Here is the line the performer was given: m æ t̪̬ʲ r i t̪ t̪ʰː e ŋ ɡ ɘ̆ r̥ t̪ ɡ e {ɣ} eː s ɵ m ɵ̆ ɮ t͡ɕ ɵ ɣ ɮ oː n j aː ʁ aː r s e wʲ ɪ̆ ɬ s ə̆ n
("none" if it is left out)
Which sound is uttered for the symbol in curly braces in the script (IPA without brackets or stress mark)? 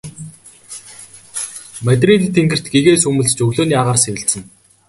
ɣ